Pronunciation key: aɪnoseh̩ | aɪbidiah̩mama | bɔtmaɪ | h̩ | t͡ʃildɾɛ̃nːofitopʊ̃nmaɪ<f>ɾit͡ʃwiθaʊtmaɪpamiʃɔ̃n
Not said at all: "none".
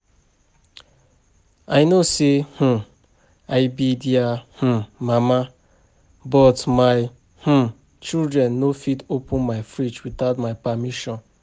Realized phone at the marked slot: f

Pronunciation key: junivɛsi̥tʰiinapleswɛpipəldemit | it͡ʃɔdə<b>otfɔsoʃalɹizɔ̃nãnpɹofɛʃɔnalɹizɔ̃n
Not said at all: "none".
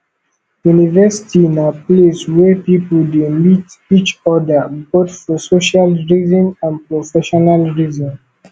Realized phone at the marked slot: b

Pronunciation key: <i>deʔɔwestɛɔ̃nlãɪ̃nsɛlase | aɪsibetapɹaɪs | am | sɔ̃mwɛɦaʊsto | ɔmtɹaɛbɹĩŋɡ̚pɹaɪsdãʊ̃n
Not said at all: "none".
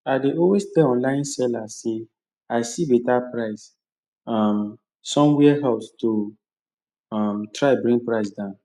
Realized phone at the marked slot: a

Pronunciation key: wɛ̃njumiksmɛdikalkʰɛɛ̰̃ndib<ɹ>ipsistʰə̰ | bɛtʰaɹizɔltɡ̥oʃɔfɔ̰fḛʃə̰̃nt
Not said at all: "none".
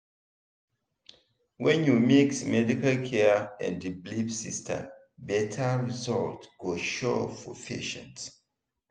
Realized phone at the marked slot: l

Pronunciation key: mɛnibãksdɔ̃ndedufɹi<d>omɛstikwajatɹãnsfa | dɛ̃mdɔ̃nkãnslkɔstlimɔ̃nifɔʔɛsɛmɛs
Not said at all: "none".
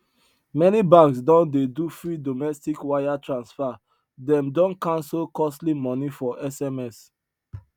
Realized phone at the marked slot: d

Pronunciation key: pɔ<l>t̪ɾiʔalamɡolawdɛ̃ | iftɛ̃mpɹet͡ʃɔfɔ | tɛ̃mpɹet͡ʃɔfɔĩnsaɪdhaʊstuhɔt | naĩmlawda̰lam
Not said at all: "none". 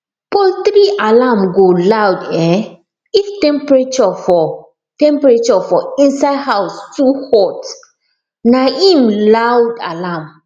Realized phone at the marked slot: l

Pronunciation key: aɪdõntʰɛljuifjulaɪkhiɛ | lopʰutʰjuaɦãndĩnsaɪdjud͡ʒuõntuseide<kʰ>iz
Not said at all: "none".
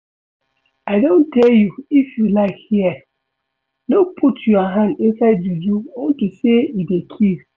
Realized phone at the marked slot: kʰ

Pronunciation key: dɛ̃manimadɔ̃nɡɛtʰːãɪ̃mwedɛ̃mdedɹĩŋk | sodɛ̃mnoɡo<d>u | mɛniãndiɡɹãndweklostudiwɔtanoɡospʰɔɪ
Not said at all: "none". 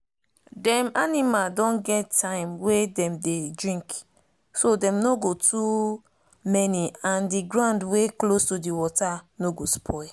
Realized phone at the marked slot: t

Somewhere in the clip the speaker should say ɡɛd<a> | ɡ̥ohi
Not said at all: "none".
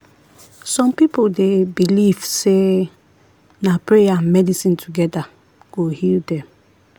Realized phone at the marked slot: a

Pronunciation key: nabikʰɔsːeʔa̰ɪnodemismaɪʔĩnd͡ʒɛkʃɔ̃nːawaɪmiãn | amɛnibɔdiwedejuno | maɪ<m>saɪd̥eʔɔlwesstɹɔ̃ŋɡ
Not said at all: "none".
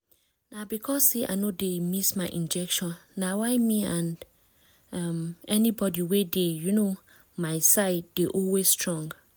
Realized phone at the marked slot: none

